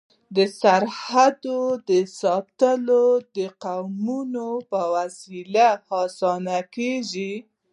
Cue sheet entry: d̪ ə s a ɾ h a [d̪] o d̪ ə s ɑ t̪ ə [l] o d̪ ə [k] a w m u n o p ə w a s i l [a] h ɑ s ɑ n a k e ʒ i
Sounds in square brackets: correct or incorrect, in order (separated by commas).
correct, correct, incorrect, correct